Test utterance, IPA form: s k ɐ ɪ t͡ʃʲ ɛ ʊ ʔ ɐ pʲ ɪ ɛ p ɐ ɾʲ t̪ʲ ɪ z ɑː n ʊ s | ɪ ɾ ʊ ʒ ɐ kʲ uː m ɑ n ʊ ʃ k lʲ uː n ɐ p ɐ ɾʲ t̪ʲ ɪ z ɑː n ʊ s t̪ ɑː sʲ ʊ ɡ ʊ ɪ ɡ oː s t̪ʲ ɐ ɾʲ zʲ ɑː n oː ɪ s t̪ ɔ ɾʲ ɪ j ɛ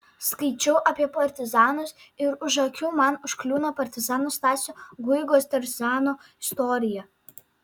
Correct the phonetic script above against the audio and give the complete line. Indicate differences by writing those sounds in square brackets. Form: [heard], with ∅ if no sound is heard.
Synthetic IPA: s k ɐ ɪ t͡ʃʲ ɛ ʊ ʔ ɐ pʲ [i] ɛ p ɐ ɾʲ t̪ʲ ɪ z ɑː n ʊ s | ɪ ɾ ʊ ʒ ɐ kʲ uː m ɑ n ʊ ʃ k lʲ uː n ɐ p ɐ ɾʲ t̪ʲ ɪ z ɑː n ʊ s t̪ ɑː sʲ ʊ ɡ ʊ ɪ ɡ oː s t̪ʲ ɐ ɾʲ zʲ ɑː n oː ɪ s t̪ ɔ ɾʲ ɪ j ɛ

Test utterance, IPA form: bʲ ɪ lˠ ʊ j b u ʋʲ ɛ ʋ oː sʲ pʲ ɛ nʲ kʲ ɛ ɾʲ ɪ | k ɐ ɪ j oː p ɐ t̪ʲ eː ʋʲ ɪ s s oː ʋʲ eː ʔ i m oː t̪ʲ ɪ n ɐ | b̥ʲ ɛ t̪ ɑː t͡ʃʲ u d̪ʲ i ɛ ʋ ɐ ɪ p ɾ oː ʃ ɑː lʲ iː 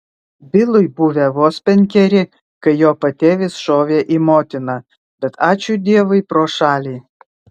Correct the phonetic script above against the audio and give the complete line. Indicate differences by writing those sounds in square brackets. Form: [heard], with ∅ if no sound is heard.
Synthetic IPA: bʲ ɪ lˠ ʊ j b u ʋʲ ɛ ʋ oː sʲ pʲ ɛ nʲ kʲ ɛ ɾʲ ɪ | k ɐ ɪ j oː p ɐ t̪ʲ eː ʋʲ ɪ s [ʃ] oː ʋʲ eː ʔ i m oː t̪ʲ ɪ n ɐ | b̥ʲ ɛ t̪ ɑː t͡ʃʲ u d̪ʲ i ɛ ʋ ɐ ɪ p ɾ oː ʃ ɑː lʲ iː

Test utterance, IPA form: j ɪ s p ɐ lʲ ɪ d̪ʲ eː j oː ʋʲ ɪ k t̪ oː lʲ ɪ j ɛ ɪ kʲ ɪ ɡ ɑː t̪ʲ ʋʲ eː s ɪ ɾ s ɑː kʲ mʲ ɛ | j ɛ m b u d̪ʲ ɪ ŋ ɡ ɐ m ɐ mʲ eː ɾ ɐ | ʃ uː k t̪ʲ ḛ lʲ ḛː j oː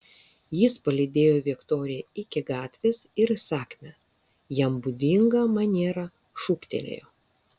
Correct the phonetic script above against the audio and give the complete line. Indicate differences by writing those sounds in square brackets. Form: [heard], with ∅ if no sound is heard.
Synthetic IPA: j ɪ s p ɐ lʲ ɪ d̪ʲ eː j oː ʋʲ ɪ k t̪ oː [ɾʲ] ɪ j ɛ ɪ kʲ ɪ ɡ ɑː t̪ʲ ʋʲ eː s ɪ ɾ s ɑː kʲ mʲ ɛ | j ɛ m b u d̪ʲ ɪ ŋ ɡ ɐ m ɐ [nʲ] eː ɾ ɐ | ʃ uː k t̪ʲ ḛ lʲ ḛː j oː

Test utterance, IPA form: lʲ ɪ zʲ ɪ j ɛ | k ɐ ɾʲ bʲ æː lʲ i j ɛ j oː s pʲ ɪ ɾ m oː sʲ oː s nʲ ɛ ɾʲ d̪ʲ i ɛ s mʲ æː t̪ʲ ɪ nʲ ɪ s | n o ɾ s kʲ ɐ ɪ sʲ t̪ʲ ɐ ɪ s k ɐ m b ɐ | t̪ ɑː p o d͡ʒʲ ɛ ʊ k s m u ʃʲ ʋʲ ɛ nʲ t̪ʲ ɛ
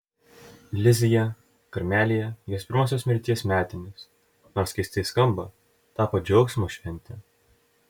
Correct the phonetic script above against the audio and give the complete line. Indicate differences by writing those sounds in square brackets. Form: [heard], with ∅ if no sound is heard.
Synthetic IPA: lʲ ɪ zʲ ɪ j ɛ | k ɐ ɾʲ [mʲ] æː lʲ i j ɛ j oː s pʲ ɪ ɾ m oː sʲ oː s [mʲ] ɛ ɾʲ [t̪ʲ] i ɛ s mʲ æː t̪ʲ ɪ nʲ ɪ s | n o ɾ s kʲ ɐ ɪ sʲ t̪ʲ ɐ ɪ s k ɐ m b ɐ | t̪ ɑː p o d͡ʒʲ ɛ ʊ k s m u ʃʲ ʋʲ ɛ nʲ t̪ʲ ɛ

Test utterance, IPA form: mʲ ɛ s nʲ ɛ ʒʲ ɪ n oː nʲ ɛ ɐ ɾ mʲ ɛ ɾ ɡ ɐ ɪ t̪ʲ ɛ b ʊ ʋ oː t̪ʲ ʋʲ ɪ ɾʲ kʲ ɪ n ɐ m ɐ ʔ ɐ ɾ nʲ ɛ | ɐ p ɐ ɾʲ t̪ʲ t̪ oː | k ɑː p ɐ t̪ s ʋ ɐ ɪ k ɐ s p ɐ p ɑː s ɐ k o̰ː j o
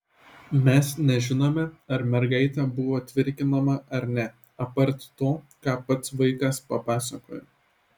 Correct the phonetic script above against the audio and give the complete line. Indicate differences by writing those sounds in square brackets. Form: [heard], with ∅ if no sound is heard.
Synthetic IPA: mʲ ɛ s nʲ ɛ ʒʲ ɪ n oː [mʲ] ɛ ɐ ɾ mʲ ɛ ɾ ɡ ɐ ɪ t̪ʲ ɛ b ʊ ʋ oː t̪ʲ ʋʲ ɪ ɾʲ kʲ ɪ n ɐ m ɐ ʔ ɐ ɾ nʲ ɛ | ɐ p ɐ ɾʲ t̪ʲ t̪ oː | k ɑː p ɐ t̪ s ʋ ɐ ɪ k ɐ s p ɐ p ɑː s ɐ k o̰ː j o

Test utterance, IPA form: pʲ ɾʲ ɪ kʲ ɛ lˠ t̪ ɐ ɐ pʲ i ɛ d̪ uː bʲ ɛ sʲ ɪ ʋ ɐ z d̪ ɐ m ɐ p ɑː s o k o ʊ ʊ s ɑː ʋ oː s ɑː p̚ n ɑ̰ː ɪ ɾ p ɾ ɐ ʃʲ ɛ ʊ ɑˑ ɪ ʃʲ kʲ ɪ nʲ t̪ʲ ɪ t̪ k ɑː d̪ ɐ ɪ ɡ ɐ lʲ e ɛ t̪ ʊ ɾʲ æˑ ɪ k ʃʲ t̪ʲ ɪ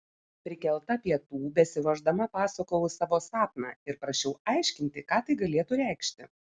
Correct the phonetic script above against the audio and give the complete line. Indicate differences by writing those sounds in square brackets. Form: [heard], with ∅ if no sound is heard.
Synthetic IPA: pʲ ɾʲ ɪ kʲ ɛ lˠ t̪ ɐ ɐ pʲ i ɛ [t̪] uː bʲ ɛ sʲ ɪ ʋ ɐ [ʒ] d̪ ɐ m ɐ p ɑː s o k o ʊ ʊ s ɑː ʋ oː s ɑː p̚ n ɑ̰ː ɪ ɾ p ɾ ɐ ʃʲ ɛ ʊ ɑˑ ɪ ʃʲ kʲ ɪ nʲ t̪ʲ ɪ [∅] k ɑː [t̪] ɐ ɪ ɡ ɐ lʲ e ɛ t̪ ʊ ɾʲ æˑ ɪ k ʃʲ t̪ʲ ɪ

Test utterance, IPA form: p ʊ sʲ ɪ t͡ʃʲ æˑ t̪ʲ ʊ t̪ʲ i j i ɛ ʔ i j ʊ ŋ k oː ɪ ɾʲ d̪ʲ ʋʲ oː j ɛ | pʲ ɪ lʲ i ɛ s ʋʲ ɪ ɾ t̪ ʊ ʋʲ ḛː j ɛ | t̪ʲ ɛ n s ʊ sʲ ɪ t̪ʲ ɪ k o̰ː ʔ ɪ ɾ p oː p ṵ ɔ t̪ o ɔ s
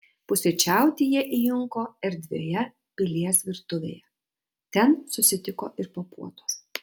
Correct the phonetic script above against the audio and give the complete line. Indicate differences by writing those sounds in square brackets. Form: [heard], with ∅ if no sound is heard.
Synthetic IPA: p ʊ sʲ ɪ t͡ʃʲ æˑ [∅] ʊ t̪ʲ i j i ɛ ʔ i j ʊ ŋ k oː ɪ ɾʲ d̪ʲ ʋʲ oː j ɛ | pʲ ɪ lʲ i ɛ s ʋʲ ɪ ɾ t̪ ʊ ʋʲ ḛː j ɛ | t̪ʲ ɛ n s ʊ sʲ ɪ t̪ʲ ɪ k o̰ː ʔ ɪ ɾ p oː p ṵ ɔ t̪ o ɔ s

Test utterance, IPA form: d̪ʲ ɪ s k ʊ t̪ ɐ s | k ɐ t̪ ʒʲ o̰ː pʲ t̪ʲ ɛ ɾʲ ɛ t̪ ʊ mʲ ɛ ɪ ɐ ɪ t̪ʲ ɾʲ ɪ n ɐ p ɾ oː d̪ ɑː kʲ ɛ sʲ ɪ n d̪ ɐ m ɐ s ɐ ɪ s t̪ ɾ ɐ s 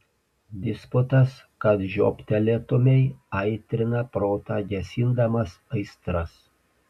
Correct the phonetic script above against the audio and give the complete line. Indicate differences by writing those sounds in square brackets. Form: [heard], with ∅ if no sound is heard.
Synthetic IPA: d̪ʲ ɪ s [p] ʊ t̪ ɐ s | k ɐ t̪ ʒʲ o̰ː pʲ t̪ʲ ɛ [lʲ] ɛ t̪ ʊ mʲ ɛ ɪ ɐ ɪ t̪ʲ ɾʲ ɪ n ɐ p ɾ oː [t̪] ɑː [ɡʲ] ɛ sʲ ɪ n d̪ ɐ m ɐ s ɐ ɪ s t̪ ɾ ɐ s

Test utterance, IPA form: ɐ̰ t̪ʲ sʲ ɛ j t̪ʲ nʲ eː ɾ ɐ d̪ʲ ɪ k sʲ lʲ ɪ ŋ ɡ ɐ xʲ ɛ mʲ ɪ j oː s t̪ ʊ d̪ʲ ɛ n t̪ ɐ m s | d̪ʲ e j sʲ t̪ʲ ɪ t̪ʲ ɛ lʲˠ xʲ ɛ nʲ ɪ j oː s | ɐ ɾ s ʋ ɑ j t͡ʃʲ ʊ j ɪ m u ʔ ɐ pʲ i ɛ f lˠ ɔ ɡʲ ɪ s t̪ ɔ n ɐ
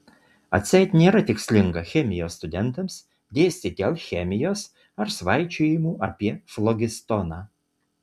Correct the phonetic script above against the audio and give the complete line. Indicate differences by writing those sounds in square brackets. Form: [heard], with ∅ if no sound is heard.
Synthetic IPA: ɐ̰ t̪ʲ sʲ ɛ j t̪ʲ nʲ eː ɾ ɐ [t̪ʲ] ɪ k sʲ lʲ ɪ ŋ ɡ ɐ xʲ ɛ mʲ ɪ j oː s t̪ ʊ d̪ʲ ɛ n t̪ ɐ m s | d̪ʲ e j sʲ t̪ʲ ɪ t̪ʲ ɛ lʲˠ xʲ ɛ [mʲ] ɪ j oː s | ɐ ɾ s ʋ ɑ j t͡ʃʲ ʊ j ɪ m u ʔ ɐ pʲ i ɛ f lˠ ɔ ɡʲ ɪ s t̪ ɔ n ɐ

